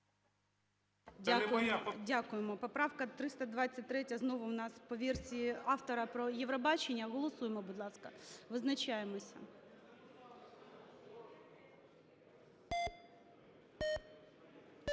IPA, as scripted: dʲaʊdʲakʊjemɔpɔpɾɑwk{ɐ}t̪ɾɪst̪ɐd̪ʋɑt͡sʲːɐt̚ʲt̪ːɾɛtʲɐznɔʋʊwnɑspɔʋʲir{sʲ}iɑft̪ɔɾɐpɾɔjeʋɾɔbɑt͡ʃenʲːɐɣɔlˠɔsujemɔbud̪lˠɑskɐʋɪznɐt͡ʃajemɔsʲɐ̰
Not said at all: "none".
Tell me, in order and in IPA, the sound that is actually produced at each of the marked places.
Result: ɐ, sʲ

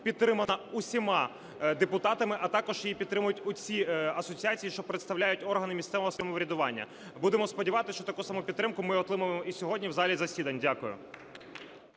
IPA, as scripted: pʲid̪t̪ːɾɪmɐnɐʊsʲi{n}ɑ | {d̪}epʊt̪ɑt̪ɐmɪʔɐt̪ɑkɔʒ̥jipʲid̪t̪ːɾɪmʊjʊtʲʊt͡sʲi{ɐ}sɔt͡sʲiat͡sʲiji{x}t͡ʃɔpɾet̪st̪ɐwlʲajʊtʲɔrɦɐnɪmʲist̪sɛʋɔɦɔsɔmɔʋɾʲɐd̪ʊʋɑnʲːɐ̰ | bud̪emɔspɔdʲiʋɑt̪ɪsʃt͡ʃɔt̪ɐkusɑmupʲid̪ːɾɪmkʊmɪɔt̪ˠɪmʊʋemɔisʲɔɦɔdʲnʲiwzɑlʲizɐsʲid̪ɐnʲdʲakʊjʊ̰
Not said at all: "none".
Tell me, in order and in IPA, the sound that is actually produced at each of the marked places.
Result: m, d̪, ɐ, ʃ

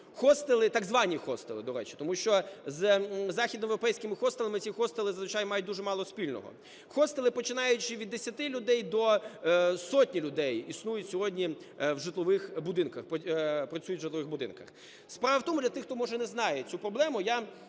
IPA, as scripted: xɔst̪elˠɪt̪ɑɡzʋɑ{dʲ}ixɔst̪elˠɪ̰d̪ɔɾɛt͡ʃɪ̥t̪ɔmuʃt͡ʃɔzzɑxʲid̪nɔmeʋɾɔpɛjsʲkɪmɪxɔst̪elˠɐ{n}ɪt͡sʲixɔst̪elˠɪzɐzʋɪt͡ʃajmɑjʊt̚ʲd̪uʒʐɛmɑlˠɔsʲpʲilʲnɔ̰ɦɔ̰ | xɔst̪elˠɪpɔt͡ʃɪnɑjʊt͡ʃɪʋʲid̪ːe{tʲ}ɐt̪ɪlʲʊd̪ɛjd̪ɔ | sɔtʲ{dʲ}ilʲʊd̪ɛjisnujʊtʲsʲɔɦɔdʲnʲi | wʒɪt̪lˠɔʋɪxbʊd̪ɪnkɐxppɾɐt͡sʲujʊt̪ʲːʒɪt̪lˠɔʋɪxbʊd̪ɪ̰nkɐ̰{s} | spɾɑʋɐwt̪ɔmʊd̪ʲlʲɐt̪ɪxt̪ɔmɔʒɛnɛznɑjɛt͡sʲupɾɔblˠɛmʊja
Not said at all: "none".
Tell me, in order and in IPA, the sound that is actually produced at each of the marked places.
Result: nʲ, m, sʲ, nʲ, x

